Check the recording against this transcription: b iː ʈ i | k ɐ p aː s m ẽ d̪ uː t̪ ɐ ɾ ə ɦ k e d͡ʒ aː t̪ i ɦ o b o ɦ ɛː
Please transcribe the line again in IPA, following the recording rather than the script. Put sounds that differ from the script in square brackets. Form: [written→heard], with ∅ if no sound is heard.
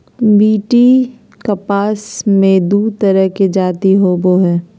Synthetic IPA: b iː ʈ i | k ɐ p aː s m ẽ d̪ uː t̪ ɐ ɾ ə ɦ k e d͡ʒ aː t̪ i ɦ o b o ɦ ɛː